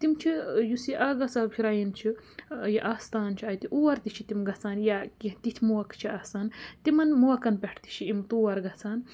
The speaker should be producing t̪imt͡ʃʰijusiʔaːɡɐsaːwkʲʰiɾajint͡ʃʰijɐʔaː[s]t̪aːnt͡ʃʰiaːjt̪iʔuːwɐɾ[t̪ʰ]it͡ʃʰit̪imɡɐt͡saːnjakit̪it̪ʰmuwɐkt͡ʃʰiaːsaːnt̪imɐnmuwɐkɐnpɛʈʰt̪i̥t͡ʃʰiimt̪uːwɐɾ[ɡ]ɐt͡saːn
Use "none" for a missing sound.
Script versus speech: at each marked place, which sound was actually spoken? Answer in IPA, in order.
s, t̪, ɡ

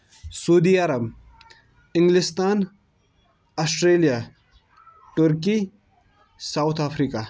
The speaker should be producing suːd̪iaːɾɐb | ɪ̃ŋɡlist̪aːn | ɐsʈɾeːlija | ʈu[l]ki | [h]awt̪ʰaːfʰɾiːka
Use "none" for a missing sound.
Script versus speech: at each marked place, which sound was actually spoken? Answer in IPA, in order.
ɾ, s

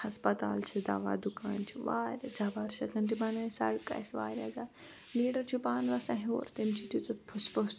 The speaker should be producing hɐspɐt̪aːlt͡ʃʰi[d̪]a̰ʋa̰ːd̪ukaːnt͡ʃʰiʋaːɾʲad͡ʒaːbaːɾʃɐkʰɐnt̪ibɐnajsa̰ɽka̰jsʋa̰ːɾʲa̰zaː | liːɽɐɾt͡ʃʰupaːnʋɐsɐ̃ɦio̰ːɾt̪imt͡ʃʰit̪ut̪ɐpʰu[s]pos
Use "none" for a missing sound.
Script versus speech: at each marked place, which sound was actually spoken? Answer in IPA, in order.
d̪, s

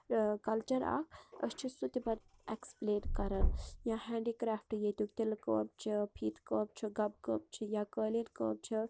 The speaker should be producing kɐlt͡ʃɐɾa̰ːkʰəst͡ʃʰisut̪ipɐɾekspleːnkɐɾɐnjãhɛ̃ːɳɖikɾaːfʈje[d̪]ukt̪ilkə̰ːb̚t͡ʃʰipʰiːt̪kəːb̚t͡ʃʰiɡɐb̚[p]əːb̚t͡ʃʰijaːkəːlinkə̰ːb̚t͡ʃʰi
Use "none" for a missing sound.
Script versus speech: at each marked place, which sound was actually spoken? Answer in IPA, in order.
t̪, k

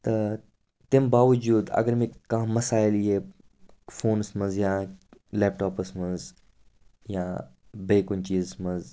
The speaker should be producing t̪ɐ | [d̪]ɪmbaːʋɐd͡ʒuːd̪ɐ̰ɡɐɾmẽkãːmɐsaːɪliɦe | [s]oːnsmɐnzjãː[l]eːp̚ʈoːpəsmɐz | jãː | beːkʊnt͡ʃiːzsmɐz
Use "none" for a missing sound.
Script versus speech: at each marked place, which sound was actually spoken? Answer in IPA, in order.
t̪, f, l

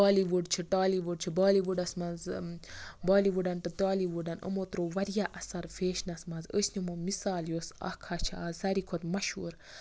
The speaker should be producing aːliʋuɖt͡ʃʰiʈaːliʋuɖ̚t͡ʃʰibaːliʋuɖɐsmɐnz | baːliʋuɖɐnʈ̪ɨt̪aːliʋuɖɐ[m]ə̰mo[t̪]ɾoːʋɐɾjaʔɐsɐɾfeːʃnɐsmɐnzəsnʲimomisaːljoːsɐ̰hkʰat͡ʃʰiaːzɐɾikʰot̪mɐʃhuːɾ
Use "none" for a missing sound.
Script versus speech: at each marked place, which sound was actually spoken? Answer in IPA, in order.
n, t̪

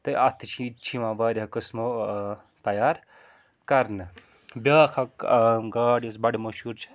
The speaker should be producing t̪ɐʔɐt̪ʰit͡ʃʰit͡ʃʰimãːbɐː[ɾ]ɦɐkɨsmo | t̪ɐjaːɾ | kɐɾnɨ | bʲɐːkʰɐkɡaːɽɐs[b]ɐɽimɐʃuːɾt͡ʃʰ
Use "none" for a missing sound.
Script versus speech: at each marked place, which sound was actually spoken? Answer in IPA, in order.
ɾ, b

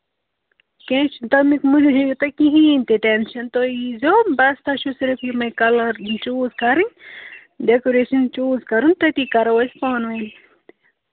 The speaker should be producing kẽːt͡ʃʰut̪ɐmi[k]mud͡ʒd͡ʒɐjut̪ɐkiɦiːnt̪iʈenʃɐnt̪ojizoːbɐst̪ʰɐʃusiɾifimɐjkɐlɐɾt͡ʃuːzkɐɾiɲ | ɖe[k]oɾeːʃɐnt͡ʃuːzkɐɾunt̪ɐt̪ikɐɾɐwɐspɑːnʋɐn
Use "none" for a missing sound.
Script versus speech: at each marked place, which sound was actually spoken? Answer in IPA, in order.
k, k

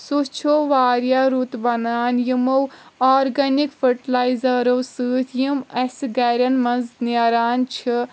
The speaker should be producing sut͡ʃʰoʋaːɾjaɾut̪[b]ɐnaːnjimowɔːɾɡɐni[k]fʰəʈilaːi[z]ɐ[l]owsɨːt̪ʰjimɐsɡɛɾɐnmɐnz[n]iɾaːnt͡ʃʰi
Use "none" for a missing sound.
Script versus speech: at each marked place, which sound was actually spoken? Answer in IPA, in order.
b, k, z, ɾ, n

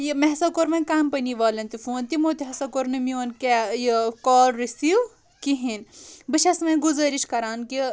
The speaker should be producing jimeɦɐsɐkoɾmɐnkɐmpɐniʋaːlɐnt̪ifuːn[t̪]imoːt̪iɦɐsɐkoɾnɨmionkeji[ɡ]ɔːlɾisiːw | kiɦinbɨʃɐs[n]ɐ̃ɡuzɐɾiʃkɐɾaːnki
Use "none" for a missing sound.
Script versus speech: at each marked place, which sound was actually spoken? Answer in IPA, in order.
t̪, k, m

